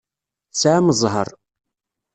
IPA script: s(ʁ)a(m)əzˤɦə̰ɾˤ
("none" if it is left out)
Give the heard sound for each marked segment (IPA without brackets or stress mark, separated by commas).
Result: ʕ, m